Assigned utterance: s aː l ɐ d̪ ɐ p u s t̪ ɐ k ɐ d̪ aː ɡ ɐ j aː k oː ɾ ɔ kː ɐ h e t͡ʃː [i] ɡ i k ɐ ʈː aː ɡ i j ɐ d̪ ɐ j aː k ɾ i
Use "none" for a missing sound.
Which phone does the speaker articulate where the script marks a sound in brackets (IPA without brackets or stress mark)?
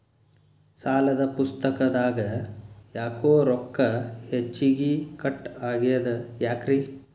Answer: i